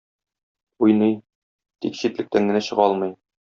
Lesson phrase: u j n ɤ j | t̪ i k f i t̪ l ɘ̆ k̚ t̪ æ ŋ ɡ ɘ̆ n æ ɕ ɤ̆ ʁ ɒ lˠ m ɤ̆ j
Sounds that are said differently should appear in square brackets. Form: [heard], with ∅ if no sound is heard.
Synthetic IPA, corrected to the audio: u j n ɤ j | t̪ i k [ɕ] i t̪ l ɘ̆ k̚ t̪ æ ŋ ɡ ɘ̆ n æ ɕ ɤ̆ ʁ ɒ lˠ m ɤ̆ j